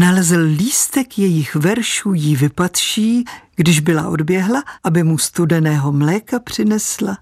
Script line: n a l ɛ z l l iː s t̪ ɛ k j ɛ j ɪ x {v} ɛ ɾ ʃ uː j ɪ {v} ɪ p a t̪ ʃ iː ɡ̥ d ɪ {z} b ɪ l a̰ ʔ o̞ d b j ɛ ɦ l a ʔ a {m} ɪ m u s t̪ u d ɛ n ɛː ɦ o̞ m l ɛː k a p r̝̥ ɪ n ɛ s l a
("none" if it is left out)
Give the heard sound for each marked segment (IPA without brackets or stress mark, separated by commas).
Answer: v, v, ʒ, b